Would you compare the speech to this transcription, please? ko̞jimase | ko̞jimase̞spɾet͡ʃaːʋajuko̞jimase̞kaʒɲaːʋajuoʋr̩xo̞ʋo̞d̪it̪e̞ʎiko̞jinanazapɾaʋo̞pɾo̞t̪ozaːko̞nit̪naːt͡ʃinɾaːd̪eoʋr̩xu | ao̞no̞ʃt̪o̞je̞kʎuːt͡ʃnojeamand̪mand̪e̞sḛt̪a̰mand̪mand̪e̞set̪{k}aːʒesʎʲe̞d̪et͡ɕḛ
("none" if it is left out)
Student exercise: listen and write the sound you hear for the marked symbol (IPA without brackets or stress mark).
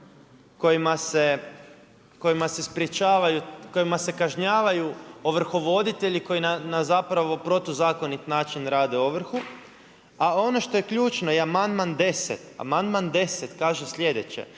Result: k